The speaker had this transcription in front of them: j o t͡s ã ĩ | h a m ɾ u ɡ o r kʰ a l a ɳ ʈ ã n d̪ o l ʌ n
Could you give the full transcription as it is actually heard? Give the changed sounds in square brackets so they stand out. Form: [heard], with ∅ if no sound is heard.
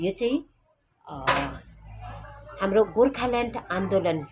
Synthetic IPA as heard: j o t͡s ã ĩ | h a m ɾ [o] ɡ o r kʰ a l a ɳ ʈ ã n d̪ o l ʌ n